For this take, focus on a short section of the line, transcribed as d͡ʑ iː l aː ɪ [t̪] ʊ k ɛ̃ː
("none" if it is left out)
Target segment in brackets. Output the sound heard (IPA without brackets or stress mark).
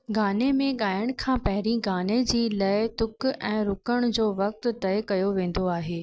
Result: t̪